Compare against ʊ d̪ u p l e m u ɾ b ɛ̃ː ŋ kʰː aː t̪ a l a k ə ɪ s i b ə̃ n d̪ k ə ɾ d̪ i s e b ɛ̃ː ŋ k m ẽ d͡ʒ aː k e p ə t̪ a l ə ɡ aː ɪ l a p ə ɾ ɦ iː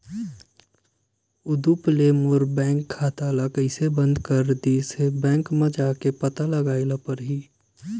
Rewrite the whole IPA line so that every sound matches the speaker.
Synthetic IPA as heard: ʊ d̪ u p l e m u ɾ b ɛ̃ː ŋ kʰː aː t̪ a l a k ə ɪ s e b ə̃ n d̪ k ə ɾ d̪ i s e b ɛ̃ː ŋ k m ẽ d͡ʒ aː k e p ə t̪ a l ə ɡ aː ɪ l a p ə ɾ ɦ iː